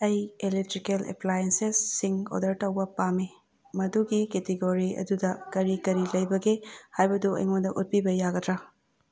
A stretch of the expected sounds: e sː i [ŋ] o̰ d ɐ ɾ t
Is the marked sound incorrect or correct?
correct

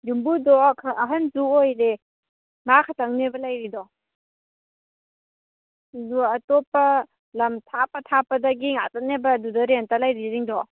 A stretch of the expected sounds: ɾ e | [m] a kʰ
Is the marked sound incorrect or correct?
correct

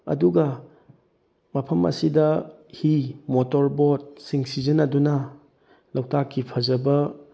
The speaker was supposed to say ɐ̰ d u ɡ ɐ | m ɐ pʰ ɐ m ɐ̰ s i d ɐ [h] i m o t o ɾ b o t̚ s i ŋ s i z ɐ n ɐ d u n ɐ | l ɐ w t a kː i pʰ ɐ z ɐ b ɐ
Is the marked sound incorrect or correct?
correct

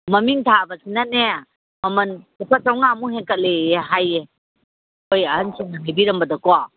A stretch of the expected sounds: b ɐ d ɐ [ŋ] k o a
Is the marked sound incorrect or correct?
incorrect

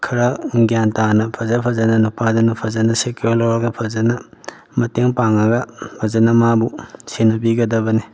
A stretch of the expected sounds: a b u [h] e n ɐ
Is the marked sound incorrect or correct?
incorrect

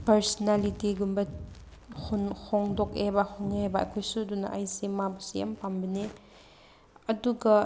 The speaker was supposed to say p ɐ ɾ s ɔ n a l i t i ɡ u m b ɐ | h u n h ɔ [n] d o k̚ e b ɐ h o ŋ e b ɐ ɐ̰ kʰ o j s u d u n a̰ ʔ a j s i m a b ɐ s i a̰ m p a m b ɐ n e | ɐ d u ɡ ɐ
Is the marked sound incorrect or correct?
incorrect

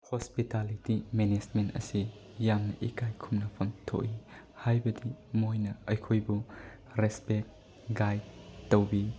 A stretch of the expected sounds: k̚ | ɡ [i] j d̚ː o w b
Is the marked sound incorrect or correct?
incorrect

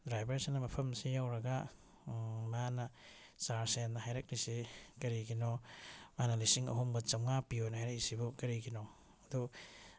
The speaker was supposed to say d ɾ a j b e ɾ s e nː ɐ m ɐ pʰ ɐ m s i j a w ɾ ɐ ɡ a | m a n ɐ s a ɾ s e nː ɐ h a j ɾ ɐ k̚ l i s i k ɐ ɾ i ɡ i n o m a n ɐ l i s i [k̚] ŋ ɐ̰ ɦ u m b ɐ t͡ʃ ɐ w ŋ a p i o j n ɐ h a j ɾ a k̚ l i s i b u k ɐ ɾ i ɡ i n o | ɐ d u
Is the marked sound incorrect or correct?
incorrect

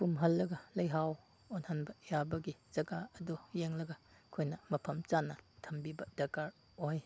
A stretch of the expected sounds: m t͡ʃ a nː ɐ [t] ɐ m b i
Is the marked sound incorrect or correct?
incorrect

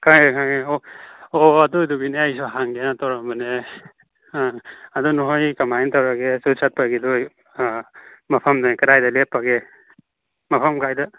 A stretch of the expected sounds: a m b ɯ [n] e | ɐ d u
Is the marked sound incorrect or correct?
correct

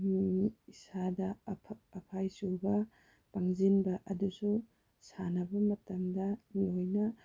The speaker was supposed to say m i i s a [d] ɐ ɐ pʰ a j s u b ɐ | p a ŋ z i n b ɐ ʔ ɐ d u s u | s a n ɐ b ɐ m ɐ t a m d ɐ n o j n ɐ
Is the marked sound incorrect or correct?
correct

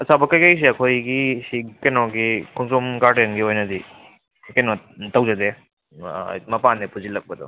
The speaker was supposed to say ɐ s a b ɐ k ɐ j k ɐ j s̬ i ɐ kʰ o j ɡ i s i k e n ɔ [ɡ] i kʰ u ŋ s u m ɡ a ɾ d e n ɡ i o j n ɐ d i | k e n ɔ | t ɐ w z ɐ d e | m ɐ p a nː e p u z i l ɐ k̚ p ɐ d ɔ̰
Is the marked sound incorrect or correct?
correct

